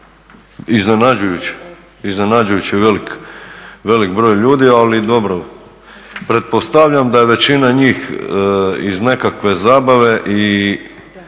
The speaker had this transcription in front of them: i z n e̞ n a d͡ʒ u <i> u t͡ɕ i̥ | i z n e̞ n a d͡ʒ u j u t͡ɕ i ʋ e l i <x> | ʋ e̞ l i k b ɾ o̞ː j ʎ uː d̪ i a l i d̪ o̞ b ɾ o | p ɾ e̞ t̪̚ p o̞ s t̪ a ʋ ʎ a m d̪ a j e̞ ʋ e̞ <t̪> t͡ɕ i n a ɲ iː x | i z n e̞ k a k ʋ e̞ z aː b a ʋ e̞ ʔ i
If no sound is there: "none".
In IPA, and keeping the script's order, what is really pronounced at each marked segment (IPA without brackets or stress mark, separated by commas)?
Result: j, k, none